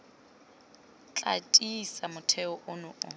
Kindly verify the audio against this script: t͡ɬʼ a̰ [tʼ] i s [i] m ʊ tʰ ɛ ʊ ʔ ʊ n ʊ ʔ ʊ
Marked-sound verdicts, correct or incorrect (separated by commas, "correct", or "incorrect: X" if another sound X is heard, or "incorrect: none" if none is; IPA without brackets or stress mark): correct, incorrect: a